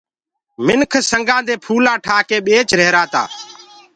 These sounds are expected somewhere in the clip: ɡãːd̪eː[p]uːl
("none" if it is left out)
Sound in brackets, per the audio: pʰ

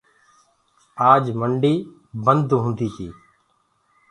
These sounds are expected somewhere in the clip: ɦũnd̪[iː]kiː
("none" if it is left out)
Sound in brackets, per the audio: iː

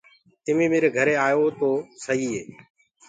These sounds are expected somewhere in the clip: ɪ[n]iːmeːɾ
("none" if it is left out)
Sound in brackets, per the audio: m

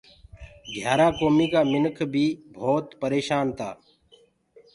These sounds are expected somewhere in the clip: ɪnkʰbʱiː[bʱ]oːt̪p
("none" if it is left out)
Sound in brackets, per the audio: bʱ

